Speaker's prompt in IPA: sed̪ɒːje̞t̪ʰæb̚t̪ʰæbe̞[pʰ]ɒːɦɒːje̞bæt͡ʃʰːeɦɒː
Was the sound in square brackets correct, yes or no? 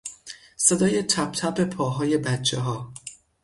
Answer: yes